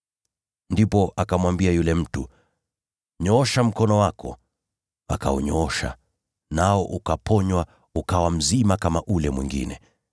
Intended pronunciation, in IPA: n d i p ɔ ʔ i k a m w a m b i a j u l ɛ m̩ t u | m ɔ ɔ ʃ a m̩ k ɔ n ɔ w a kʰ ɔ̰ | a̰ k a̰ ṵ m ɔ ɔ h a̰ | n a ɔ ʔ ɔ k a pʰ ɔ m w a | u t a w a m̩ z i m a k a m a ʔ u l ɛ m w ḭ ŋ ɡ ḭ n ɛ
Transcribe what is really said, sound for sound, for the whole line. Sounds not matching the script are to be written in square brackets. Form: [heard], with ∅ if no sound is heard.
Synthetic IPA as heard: n d i p ɔ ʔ [a] k a m w a m b i a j u l ɛ m̩ t u | [ɲ] ɔ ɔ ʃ a m̩ k ɔ n ɔ w a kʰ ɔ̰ | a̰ k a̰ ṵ [ɲ] ɔ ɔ [ʃ] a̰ | n a ɔ ʔ [u] k a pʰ ɔ [ɲ] w a | u [k] a w a m̩ z i m a k a m a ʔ u l ɛ m w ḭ ŋ ɡ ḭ n ɛ